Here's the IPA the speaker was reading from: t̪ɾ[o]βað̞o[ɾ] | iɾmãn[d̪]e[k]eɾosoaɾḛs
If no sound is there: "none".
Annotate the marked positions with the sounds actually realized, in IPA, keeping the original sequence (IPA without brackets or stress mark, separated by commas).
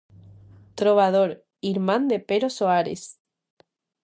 o, ɾ, d̪, p